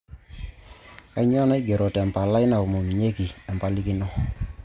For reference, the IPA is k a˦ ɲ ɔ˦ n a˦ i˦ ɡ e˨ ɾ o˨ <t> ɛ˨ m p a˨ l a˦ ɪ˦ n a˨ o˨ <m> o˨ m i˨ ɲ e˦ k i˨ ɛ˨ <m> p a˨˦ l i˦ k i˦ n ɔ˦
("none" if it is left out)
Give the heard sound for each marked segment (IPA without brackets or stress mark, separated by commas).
t, m, m